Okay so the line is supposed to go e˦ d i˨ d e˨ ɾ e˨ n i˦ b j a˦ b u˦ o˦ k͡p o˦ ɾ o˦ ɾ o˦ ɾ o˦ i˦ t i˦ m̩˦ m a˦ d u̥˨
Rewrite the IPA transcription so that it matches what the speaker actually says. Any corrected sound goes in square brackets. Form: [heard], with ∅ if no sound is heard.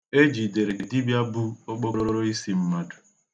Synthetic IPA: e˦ [d͡ʒ] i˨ d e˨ ɾ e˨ [d] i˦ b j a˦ b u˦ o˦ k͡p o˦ ɾ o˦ ɾ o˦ ɾ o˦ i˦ [s] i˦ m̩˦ m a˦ d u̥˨